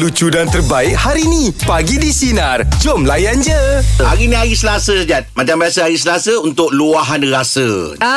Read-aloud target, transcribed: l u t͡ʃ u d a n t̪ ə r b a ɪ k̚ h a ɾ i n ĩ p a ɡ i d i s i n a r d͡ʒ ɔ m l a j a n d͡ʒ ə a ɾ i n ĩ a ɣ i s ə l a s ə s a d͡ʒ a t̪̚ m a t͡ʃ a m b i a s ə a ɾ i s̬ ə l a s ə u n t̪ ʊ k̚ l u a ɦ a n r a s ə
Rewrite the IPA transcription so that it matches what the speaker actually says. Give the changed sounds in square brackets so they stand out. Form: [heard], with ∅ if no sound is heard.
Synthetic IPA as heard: l u t͡ʃ u d a n t̪ ə r b a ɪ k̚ h a ɾ i n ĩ p a ɡ i d i s i n a r d͡ʒ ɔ m l a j a n d͡ʒ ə a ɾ i n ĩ a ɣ i s ə l a s ə s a d͡ʒ a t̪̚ m a t͡ʃ a m b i a s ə a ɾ i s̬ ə l a s ə u n t̪ ʊ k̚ l u a ɦ a n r a s ə